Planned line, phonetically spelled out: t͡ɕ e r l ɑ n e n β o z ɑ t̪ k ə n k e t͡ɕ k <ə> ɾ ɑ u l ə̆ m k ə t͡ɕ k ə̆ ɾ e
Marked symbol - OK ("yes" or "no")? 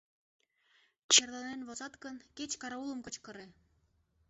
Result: no